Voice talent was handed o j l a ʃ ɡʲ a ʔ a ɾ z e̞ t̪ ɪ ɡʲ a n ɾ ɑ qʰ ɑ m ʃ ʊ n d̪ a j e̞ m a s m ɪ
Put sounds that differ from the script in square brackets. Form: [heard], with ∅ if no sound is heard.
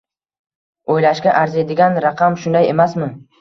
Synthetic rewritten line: o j l a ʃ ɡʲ a ʔ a ɾ z e̞ [d̪] ɪ ɡʲ a n ɾ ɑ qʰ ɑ m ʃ ʊ n d̪ a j e̞ m a s m ɪ